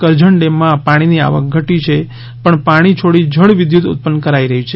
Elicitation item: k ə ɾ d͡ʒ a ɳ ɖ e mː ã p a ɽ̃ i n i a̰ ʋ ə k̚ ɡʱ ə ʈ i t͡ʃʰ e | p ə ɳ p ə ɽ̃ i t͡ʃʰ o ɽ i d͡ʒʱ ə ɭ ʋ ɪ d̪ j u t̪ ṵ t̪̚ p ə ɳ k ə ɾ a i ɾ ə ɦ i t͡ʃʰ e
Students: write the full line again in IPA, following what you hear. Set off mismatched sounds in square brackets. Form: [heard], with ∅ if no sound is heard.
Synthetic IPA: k ə ɾ d͡ʒ [ə] ɳ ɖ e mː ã p a ɽ̃ i n i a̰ ʋ ə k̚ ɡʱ ə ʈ i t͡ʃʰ e | p ə ɳ p [a] ɽ̃ i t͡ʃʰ o ɽ i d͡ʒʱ ə ɭ ʋ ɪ d̪ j u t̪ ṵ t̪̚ p ə [n] k ə ɾ a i ɾ ə ɦ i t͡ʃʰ e